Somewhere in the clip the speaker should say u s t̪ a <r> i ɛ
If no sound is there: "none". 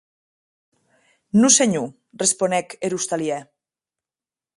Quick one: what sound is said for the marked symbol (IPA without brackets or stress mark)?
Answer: l